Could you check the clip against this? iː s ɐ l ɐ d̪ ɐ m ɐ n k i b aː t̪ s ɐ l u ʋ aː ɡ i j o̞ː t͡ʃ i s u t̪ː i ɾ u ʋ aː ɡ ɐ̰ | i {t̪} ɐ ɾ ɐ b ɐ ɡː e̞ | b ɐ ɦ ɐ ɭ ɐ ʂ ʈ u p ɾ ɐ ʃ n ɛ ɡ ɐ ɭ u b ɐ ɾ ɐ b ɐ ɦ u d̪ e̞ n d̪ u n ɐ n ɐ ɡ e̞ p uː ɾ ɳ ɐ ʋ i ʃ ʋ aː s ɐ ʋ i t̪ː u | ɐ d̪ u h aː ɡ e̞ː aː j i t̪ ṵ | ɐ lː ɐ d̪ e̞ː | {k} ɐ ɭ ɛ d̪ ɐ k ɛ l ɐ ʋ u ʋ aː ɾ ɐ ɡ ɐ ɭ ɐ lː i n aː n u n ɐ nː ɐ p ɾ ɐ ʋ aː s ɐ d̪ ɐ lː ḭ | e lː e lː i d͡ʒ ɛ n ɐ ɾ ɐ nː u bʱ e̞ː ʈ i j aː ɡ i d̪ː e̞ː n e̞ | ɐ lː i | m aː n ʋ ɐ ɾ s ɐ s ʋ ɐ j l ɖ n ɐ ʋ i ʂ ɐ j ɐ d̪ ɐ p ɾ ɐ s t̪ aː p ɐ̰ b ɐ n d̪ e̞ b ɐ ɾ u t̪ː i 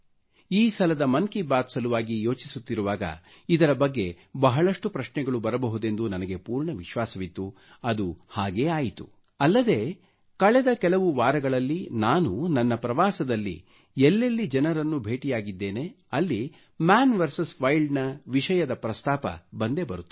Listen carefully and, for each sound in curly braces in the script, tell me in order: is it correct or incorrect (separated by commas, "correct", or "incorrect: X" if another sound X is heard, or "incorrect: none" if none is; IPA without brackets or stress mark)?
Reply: incorrect: d̪, correct